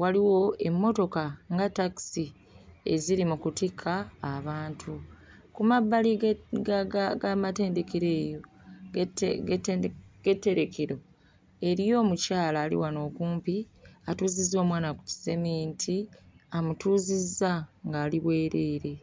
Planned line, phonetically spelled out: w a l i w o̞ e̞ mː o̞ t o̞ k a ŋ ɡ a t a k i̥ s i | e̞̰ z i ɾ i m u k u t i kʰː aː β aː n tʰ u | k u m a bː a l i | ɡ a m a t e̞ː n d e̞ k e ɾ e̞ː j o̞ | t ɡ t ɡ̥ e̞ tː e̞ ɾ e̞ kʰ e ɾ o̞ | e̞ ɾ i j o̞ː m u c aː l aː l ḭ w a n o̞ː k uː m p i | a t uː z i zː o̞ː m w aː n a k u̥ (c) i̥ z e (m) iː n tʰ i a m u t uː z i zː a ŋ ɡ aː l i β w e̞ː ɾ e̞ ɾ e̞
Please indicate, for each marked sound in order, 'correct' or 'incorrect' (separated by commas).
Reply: correct, correct